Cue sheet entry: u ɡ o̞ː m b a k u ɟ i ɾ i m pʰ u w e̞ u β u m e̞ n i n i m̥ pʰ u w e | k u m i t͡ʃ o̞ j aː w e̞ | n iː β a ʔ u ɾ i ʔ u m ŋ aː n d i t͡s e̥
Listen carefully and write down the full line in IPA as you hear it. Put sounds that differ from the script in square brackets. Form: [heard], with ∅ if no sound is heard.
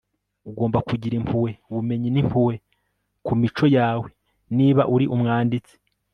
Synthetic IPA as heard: u ɡ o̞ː m b a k u ɟ i ɾ i m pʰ u w e̞ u β u m e̞ [ɲ] i n i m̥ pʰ u w e | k u m i t͡ʃ o̞ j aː w e̞ | n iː β a ʔ u ɾ i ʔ u m ŋ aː n d i t͡s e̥

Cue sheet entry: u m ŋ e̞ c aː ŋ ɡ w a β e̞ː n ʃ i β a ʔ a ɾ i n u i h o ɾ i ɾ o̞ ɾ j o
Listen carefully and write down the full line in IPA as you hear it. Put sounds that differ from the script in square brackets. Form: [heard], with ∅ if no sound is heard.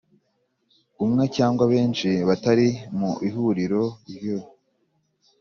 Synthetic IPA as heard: u m ŋ e̞ c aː ŋ ɡ w a β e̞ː n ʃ i β a [t] a ɾ i [m] u i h [u] ɾ i ɾ o̞ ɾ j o

